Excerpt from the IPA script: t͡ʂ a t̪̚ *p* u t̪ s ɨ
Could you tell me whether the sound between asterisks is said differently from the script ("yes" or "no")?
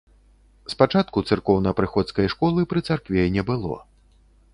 yes